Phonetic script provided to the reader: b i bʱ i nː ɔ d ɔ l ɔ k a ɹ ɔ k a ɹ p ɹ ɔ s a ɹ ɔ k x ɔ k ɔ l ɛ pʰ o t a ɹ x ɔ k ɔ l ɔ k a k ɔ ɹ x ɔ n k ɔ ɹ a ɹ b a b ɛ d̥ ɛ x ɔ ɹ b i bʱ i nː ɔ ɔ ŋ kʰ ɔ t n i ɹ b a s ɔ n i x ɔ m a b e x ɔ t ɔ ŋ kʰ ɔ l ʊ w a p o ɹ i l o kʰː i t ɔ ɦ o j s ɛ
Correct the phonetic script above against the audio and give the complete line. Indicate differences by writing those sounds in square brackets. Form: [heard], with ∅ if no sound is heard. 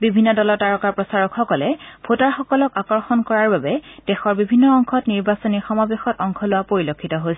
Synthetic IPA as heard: b i bʱ i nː ɔ d ɔ l ɔ [t] a ɹ ɔ k a ɹ p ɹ ɔ s a ɹ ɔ k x ɔ k ɔ l ɛ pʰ o t a ɹ x ɔ k ɔ l ɔ k a k ɔ ɹ x ɔ n k ɔ ɹ a ɹ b a b ɛ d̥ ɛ x ɔ ɹ b i bʱ i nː ɔ ɔ ŋ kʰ ɔ t n i ɹ b a s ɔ n i x ɔ m a b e x ɔ t ɔ ŋ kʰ ɔ l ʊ w a p o ɹ i l o kʰː i t ɔ ɦ o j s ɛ